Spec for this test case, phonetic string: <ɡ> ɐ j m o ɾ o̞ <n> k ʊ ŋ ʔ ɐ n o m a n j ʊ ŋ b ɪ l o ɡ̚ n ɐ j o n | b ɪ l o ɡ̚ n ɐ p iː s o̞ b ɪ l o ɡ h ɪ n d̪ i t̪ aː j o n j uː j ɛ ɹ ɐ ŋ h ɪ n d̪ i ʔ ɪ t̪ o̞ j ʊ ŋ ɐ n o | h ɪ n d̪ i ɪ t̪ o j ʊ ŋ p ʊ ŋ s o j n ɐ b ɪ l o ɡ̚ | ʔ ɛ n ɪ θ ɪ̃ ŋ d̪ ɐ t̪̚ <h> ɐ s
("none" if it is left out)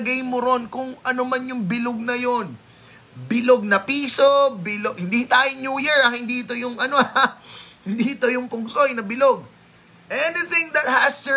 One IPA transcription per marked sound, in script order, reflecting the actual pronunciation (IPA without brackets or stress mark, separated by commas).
ɡ, n, h